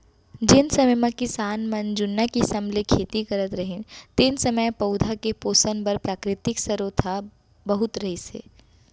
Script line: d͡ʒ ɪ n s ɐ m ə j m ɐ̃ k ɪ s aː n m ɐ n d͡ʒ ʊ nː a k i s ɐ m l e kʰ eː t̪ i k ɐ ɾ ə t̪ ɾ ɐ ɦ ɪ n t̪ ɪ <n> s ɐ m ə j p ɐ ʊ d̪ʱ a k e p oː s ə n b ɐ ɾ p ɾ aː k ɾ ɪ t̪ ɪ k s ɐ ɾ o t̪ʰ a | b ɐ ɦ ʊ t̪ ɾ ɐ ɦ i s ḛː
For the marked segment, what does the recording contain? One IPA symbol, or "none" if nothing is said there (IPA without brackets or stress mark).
n